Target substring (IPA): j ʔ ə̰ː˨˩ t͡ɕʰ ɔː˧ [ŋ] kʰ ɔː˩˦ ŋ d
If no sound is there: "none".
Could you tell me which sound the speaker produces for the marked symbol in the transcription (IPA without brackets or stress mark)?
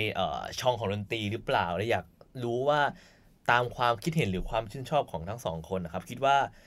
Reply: ŋ